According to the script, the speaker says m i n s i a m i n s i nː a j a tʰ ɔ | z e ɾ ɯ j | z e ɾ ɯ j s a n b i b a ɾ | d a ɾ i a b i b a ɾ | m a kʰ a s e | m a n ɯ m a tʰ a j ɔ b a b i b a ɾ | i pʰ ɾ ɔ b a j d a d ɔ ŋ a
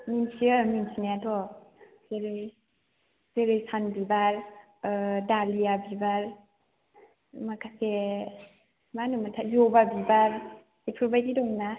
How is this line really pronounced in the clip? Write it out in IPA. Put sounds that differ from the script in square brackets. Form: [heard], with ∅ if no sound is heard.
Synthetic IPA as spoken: m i n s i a m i n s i [n] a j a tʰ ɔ | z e ɾ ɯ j | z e ɾ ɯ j s a n b i b a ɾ | d a [l] i a b i b a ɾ | m a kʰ a s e | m a n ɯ m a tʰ a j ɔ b a b i b a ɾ | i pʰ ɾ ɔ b a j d [i] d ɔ [n] a